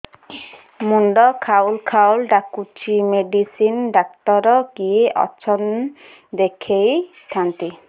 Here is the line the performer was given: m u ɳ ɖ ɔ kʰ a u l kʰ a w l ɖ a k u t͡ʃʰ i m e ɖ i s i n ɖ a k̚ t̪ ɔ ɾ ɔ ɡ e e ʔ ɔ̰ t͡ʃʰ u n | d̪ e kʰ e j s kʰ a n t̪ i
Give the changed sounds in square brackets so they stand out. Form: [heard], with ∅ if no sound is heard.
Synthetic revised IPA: m u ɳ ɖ ɔ kʰ a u l kʰ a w l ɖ a k u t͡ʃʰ i m e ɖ i s i n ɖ a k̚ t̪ ɔ ɾ ɔ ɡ [i] e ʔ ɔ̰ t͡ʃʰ [ɔ] n | d̪ e kʰ e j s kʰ a n t̪ i